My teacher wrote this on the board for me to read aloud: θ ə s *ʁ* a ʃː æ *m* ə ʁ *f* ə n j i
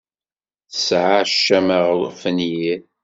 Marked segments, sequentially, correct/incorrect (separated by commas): incorrect, correct, correct